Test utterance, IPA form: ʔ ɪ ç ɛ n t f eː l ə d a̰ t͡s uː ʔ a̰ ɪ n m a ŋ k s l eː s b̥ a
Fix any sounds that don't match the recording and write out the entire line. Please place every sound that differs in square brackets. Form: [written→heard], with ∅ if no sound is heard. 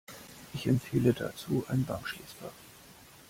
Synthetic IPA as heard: ʔ ɪ ç ɛ [n→m] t f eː l ə d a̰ t͡s uː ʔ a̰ ɪ n [m→b] a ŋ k [s→ʃ] l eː s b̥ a